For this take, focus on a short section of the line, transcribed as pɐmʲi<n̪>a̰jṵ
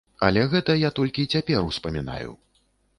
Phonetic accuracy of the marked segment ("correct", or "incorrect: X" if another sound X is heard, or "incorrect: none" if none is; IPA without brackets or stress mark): correct